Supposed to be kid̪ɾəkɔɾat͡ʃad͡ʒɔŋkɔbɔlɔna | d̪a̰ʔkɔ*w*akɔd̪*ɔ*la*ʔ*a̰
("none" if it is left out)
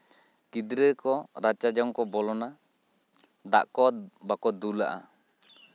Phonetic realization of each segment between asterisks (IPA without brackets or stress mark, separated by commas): b, u, ʔ